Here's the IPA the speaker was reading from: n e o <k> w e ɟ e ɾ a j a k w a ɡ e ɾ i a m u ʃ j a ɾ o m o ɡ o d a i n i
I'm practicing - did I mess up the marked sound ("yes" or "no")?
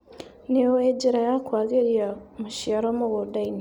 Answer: yes